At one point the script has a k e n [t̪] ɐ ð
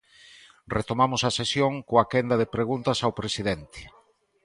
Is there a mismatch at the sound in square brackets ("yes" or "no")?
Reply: yes